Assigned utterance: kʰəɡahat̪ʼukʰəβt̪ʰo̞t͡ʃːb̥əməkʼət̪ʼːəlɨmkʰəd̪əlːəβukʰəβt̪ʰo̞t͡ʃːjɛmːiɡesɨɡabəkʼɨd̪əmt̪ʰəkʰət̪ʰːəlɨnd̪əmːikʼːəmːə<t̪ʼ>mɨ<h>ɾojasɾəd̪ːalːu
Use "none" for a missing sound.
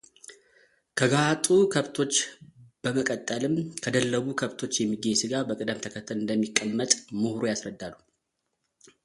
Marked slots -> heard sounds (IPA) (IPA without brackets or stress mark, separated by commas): t̪ʼ, h